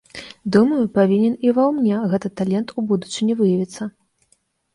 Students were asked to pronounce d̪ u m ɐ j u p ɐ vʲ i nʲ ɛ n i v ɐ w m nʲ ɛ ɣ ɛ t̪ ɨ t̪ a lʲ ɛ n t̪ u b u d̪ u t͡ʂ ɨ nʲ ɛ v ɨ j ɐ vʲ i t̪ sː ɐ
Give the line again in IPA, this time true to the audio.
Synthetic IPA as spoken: d̪ u m ɐ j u p a vʲ i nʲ ɛ n i v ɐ w m nʲ ɛ ɣ ɛ t̪ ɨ t̪ a lʲ ɛ n t̪ u b u d̪ u t͡ʂ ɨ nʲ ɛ v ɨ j ɐ vʲ i t̪ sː ɐ